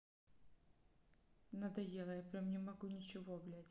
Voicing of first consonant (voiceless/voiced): voiced